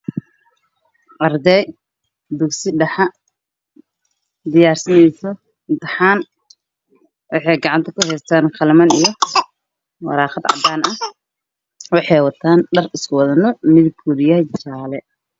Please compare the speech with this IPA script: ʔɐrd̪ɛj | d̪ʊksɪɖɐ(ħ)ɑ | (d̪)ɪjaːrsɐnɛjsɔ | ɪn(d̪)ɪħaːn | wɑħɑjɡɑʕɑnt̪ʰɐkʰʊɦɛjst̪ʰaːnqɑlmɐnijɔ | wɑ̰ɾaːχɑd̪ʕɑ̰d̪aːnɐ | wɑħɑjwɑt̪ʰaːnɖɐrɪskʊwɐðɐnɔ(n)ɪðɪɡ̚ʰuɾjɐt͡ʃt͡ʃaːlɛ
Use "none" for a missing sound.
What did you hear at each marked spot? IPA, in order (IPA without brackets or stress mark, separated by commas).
ħ, d̪, t̪, m